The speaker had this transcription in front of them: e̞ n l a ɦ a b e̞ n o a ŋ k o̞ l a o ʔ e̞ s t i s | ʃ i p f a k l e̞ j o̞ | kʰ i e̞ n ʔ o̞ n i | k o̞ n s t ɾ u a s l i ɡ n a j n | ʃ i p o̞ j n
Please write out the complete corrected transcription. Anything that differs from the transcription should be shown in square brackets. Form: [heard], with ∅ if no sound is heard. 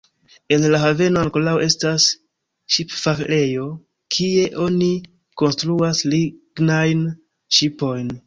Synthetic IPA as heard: e̞ n l a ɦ a [v] e̞ n o a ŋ k o̞ l a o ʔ e̞ s t [a] s | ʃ i p f a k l e̞ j o̞ | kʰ i e̞ [∅] ʔ o̞ n i | k o̞ n s t ɾ u a s l i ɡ n a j n | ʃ i p o̞ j n

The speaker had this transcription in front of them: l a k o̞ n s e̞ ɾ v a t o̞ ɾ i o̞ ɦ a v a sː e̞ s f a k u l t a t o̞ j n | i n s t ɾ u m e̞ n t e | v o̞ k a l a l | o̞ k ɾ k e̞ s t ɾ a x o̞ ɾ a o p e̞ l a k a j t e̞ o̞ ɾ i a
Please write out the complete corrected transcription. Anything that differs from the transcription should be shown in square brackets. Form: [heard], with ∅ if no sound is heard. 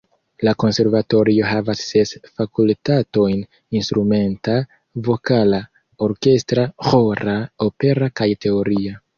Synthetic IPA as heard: l a k o̞ n s e̞ ɾ v a t o̞ ɾ i o̞ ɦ a v a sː e̞ s f a k u l t a t o̞ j n | i n s t ɾ u m e̞ n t [a] | v o̞ k a l a [∅] | o̞ [∅] ɾ k e̞ s t ɾ a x o̞ ɾ a o p e̞ [ɾ] a k a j t e̞ o̞ ɾ i a

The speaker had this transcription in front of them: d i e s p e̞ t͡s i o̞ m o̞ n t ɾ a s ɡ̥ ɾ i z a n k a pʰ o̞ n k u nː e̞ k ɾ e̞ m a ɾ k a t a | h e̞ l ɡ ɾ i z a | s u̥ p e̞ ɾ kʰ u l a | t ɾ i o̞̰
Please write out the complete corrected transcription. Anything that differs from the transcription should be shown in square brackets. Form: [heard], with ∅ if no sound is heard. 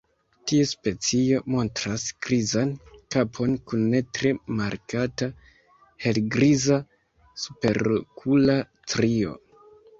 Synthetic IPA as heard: [t] i e s p e̞ t͡s i o̞ m o̞ n t ɾ a s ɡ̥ ɾ i z a n k a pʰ o̞ n k u nː e̞ [t] ɾ e̞ m a ɾ k a t a | h e̞ l ɡ ɾ i z a | s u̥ p e̞ ɾ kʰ u l a | t ɾ i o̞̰

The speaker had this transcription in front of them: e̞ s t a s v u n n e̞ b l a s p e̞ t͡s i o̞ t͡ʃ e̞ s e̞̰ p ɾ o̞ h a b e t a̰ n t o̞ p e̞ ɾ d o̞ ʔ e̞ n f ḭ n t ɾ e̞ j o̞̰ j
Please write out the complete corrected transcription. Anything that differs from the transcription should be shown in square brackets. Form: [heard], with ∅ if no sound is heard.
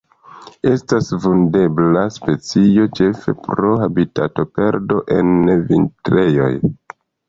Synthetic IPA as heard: e̞ s t a s v u n [d] e̞ b l a s p e̞ t͡s i o̞ t͡ʃ e̞ [f] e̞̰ p ɾ o̞ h a b [i] t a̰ [∅] t o̞ p e̞ ɾ d o̞ ʔ e̞ n [v] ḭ n t ɾ e̞ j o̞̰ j

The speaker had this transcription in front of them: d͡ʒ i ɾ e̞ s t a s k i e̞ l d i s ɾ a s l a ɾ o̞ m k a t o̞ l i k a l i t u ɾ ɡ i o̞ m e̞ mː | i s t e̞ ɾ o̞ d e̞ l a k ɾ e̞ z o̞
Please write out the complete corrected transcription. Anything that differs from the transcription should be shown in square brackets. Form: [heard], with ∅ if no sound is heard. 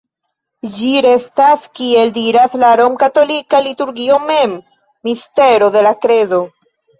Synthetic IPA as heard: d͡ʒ i ɾ e̞ s t a s k i e̞ l d i [∅] ɾ a s l a ɾ o̞ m k a t o̞ l i k a l i t u ɾ ɡ i o̞ m e̞ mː | i s t e̞ ɾ o̞ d e̞ l a k ɾ e̞ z o̞

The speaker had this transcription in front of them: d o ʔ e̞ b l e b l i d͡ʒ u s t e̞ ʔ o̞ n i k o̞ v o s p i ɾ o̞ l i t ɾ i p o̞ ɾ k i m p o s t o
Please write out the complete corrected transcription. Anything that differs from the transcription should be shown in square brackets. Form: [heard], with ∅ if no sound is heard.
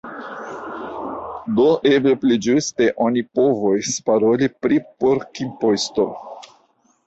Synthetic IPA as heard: d o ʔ e̞ b l e [p] l i d͡ʒ u s t e̞ ʔ o̞ n i [p] o̞ v o s p [a] ɾ o̞ l i [p] ɾ i p o̞ ɾ k i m p o s t o

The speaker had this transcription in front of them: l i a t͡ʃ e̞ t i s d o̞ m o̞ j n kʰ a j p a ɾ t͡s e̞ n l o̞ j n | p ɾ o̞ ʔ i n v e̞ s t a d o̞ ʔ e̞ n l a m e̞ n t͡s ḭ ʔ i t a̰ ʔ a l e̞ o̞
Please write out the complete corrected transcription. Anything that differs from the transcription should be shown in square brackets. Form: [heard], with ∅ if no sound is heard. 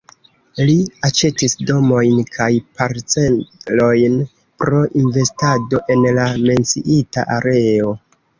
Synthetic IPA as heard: l i a t͡ʃ e̞ t i s d o̞ m o̞ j n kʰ a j p a ɾ t͡s e̞ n l o̞ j n | p ɾ o̞ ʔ i n v e̞ s t a d o̞ ʔ e̞ n l a m e̞ n t͡s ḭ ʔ i t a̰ ʔ a [ɾ] e̞ o̞

